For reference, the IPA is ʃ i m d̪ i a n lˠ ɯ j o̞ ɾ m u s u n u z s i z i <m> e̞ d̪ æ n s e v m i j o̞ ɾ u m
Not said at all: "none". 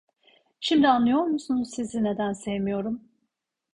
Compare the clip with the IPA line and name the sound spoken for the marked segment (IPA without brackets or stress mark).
n